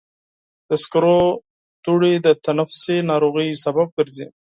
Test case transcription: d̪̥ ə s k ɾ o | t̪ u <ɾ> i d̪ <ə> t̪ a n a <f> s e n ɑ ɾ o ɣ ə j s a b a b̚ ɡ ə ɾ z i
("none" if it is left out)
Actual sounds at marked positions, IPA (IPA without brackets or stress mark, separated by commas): ɽ, ə, f